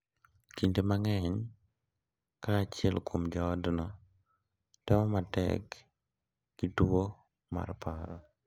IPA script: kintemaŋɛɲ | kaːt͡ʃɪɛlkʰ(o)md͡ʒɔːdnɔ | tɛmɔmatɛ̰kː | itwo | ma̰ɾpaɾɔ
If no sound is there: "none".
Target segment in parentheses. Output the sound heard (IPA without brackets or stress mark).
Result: o